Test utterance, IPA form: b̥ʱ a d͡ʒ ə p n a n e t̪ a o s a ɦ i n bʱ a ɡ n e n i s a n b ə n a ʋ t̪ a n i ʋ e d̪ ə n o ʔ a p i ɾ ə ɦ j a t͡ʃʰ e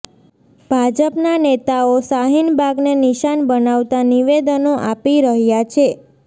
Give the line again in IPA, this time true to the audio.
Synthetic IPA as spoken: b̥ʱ a d͡ʒ ə p n a n e t̪ a o s a ɦ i n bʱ a ɡ n e n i ʃ a n b ə n a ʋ t̪ a n i ʋ e d̪ ə n o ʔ a p i ɾ ə ɦ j a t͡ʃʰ e